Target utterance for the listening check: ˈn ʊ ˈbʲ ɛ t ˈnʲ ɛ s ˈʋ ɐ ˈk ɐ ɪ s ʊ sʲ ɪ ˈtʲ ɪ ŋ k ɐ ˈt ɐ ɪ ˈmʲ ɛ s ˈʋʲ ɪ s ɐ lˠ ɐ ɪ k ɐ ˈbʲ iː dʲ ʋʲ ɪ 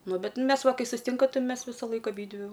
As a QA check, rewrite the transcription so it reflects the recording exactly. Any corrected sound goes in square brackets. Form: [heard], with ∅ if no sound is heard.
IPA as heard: ˈn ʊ ˈbʲ ɛ t [ˈmʲ] ɛ s ˈʋ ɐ ˈk ɐ ɪ s ʊ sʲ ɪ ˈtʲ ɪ ŋ k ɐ ˈt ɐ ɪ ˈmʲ ɛ s ˈʋʲ ɪ s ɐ lˠ ɐ ɪ k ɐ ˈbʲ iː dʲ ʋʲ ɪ